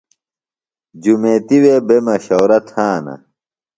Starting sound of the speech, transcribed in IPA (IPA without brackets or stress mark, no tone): d͡ʑ